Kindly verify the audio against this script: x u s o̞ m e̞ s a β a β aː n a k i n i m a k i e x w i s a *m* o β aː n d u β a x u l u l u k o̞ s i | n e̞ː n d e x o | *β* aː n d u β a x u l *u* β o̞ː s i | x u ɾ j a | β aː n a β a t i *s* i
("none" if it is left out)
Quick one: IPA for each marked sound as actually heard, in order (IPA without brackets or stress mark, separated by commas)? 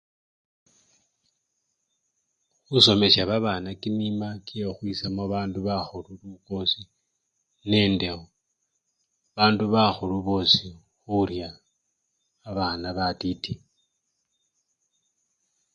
m, β, u, t